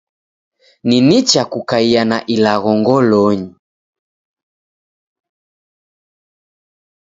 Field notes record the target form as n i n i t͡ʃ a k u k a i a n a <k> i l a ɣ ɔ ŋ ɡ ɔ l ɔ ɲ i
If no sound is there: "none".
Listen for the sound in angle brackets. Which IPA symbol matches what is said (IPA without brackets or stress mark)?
ʔ